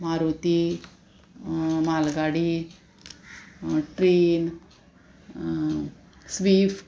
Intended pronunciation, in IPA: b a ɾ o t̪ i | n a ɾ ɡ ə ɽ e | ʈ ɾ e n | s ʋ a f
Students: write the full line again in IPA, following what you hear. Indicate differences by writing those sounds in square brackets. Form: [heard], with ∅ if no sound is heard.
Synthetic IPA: [m] a ɾ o t̪ i | [m] a [l] ɡ [a] ɽ [i] | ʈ ɾ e n | s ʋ [i] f